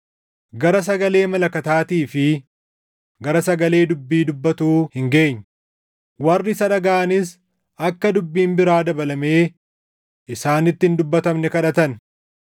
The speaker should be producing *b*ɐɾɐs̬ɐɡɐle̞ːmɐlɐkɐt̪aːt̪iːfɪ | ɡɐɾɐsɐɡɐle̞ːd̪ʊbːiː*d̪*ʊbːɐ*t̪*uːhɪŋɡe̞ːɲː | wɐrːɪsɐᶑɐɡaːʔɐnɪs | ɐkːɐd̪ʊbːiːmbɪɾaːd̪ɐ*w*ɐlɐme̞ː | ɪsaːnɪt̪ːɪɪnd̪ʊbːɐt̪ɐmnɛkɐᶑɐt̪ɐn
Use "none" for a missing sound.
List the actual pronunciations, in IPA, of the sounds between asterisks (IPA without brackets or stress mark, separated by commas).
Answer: ɡ, d̪, t̪, b